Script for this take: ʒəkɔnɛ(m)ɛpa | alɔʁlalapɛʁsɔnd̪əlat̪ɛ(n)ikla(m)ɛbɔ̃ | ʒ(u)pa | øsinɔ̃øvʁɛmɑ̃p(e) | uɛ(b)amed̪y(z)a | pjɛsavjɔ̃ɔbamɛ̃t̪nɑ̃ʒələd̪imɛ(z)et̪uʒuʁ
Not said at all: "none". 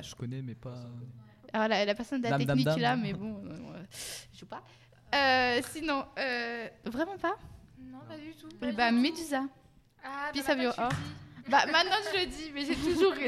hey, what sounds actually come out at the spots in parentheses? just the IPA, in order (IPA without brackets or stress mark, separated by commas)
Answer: m, n, m, u, a, b, z, ʒ